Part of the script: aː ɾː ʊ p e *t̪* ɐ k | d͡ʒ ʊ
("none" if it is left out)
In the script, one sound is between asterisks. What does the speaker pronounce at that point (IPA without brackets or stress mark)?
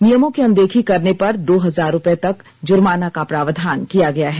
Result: t̪